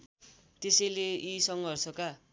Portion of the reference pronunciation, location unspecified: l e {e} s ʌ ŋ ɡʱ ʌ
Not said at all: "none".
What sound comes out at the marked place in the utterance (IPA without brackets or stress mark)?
i